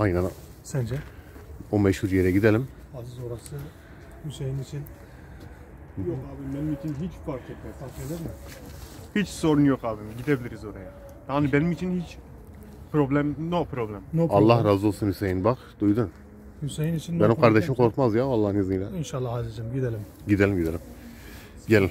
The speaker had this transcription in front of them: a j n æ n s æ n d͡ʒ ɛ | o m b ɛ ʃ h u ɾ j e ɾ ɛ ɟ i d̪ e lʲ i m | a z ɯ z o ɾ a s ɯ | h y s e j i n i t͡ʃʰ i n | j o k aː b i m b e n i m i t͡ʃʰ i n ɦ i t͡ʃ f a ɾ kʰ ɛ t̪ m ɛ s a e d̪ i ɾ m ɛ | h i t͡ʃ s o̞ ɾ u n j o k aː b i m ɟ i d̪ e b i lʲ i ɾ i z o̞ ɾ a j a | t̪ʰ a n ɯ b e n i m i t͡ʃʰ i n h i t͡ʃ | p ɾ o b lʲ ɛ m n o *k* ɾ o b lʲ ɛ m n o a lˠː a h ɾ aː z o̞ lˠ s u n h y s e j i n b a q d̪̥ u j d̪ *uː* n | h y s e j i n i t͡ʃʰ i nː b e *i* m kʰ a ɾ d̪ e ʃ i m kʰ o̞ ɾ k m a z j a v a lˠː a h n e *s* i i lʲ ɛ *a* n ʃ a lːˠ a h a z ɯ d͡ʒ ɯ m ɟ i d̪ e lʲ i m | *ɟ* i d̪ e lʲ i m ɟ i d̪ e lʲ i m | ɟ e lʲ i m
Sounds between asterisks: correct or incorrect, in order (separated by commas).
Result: incorrect, incorrect, correct, incorrect, incorrect, correct